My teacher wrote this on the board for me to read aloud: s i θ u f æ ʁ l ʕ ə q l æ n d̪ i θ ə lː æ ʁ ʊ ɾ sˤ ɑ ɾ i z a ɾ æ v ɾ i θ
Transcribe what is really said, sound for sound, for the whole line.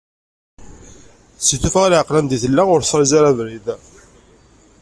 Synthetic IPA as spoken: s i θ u f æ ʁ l ʕ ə q l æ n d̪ i θ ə lː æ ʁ ʊ ɾ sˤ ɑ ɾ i z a ɾ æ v ɾ i ð